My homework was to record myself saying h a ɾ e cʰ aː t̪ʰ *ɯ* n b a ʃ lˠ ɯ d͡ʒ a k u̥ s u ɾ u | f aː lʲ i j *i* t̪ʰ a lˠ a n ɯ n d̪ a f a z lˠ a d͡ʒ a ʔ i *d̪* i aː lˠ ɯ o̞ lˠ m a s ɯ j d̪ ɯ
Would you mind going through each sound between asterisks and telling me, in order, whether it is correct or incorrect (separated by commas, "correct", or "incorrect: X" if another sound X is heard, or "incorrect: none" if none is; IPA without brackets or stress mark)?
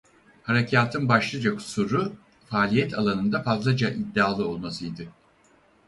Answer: correct, incorrect: ɛ, incorrect: d̪ː